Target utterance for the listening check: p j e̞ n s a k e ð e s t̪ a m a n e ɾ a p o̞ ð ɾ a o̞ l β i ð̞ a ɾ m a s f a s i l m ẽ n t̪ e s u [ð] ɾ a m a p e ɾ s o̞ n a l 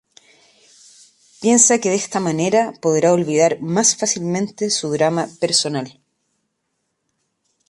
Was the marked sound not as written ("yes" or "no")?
no